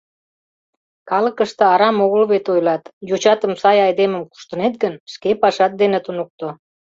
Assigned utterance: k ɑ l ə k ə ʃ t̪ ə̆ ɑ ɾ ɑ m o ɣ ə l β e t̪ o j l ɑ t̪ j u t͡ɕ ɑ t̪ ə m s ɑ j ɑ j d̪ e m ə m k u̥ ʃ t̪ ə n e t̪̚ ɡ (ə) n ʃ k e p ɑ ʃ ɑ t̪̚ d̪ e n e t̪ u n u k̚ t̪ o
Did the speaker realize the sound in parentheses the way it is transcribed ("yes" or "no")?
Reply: yes